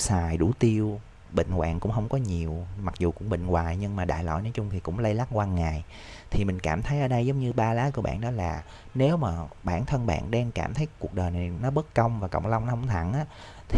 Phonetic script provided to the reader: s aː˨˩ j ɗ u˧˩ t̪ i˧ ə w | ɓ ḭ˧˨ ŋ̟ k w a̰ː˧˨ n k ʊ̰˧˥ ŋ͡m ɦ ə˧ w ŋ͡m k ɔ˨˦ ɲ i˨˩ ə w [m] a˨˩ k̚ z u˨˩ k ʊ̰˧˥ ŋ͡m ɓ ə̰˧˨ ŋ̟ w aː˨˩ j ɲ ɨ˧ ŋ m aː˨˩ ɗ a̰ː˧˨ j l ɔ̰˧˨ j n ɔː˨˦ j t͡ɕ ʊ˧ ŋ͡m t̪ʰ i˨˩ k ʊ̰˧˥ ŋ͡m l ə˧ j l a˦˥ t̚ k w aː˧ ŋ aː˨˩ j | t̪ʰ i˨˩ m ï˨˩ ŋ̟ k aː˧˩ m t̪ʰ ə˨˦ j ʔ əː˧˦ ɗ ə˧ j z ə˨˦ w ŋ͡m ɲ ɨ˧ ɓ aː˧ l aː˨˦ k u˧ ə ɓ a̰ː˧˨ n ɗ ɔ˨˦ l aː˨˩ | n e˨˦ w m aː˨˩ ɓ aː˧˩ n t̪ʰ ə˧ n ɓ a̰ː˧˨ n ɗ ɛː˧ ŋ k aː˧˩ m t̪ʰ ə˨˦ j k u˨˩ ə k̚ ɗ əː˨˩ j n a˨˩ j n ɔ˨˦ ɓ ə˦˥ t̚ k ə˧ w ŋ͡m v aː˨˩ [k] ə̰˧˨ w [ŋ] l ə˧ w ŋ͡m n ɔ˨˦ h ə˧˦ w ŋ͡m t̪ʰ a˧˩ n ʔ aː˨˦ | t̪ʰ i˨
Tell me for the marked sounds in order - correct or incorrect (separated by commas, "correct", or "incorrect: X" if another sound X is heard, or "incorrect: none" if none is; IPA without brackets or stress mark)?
correct, correct, incorrect: ŋ͡m